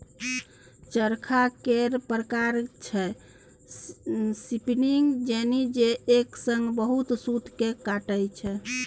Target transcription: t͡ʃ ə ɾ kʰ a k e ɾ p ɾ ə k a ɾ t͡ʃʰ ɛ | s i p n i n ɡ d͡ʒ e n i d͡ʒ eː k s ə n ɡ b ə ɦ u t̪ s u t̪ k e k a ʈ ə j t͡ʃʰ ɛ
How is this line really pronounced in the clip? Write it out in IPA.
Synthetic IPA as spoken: t͡ʃ ə ɾ kʰ a k e ɾ p ɾ ə k a ɾ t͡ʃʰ ɛ | s i p n i ŋ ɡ d͡ʒ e n i d͡ʒ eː k s ə ŋ ɡ b ə ɦ u t̪ s u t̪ k e k a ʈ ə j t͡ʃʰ ɛ